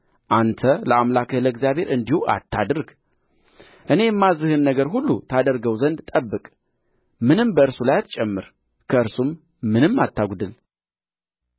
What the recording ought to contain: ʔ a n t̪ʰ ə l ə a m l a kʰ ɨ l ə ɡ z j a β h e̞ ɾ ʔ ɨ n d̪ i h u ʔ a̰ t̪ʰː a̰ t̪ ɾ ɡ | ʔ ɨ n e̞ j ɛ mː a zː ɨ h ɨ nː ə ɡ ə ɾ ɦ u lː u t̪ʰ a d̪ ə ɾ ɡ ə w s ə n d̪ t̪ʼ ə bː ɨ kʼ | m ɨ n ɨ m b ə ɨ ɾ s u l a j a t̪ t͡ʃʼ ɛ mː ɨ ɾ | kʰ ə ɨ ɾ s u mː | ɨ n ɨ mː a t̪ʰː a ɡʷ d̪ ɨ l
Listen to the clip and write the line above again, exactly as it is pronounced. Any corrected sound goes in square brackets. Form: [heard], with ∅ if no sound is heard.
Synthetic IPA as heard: ʔ a n t̪ʰ ə l ə a m l a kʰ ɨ l ə ɡ z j a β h e̞ ɾ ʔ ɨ n d̪ i h u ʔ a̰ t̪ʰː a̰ [d̪] ɾ ɡ | ʔ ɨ n e̞ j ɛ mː a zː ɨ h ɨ nː ə ɡ ə ɾ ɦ u lː u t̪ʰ a d̪ ə ɾ ɡ ə w [z] ə n d̪ t̪ʼ ə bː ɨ kʼ | m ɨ n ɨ m b ə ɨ ɾ s u l a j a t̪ t͡ʃʼ ɛ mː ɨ ɾ | kʰ ə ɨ ɾ s u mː | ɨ n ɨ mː a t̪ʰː a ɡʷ d̪ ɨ l